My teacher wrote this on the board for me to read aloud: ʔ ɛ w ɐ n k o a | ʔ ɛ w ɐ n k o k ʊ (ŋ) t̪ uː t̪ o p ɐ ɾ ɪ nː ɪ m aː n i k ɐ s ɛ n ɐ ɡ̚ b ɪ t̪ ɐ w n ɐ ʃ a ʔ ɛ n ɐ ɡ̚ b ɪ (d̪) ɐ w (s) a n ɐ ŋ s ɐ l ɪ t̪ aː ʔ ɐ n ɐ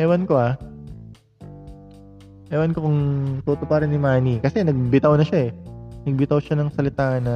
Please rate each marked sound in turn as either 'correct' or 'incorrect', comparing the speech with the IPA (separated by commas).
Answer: correct, incorrect, incorrect